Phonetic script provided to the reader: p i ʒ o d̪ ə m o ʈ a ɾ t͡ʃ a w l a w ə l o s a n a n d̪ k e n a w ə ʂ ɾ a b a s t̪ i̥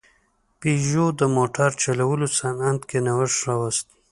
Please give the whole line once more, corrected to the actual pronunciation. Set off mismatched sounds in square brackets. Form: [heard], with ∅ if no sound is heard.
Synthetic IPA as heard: p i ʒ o d̪ ə m o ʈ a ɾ t͡ʃ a [∅] l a w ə l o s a n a n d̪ k e n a w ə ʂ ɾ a [w] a s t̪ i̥